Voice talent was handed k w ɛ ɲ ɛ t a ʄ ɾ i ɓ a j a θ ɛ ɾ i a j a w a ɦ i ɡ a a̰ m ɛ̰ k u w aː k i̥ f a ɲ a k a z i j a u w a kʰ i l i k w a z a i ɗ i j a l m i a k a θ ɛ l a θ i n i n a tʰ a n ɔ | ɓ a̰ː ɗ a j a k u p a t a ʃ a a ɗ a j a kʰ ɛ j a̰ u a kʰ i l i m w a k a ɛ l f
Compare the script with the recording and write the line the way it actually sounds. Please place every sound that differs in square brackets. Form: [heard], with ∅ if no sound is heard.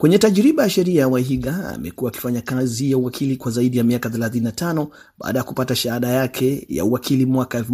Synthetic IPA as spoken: k w ɛ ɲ ɛ t a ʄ ɾ i ɓ a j a [ʃ] ɛ ɾ i a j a w a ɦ i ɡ a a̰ m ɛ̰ k u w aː k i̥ f a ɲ a k a z i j a u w a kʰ i l i k w a z a i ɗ i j a [∅] m i a k a θ ɛ l a θ i n i n a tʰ a n ɔ | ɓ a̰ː ɗ a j a k u p a t a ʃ a a ɗ a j a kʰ ɛ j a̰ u a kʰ i l i m w a k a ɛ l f